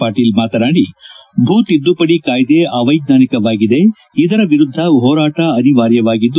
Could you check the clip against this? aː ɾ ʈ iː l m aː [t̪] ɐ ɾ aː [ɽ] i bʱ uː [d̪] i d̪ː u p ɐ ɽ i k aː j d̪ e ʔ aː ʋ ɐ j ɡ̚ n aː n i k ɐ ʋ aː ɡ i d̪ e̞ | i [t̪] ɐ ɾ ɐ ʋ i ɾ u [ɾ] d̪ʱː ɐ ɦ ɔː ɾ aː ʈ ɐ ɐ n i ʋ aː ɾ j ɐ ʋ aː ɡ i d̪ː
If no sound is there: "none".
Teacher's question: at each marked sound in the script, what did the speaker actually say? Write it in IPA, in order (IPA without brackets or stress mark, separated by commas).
t̪, ɽ, t̪, d̪, none